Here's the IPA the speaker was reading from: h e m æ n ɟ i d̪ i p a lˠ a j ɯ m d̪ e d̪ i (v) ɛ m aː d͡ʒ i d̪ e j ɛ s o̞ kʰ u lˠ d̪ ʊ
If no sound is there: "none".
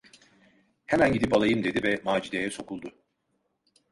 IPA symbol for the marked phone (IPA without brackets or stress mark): v